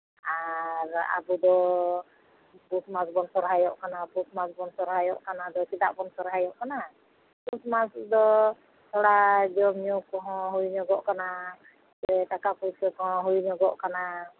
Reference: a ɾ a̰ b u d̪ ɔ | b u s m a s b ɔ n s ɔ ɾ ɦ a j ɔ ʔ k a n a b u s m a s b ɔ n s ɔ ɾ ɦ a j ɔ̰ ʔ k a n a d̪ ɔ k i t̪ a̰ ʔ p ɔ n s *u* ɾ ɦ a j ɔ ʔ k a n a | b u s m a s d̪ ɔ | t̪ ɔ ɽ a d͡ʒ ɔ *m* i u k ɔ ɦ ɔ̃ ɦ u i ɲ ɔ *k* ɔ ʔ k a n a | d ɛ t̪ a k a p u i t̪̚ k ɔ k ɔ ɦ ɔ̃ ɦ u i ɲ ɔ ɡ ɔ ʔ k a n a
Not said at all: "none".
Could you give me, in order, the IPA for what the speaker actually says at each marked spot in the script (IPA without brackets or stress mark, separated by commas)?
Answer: ɔ, m, ɡ